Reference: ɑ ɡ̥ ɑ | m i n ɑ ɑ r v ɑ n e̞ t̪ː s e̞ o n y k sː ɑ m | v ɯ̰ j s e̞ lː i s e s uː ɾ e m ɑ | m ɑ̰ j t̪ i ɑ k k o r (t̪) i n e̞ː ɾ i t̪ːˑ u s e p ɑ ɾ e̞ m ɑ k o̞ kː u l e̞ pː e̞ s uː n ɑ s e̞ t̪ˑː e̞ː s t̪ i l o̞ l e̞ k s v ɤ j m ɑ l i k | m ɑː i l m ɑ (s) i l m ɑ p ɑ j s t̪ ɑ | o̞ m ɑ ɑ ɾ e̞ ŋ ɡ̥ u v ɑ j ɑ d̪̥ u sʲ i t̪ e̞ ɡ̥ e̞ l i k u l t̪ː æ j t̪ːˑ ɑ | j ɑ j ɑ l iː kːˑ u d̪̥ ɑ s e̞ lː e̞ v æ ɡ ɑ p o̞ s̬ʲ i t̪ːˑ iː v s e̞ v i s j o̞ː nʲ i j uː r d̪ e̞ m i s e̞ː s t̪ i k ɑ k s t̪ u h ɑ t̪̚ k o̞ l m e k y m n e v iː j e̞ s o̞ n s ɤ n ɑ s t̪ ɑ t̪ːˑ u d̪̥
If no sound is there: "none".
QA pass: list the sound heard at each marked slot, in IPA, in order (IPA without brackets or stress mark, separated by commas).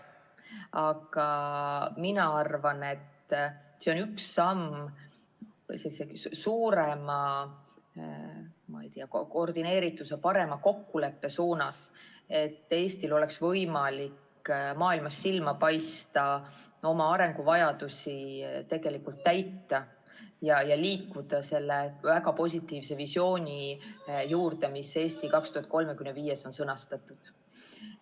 d̪, sː